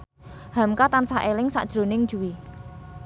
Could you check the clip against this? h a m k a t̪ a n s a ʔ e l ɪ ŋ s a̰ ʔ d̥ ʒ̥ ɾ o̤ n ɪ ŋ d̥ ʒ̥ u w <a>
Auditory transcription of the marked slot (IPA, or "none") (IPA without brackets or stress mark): i